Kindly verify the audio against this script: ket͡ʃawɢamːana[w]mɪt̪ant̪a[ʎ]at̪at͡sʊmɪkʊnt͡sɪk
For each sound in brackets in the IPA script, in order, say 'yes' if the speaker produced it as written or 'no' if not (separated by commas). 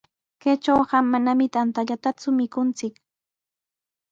no, yes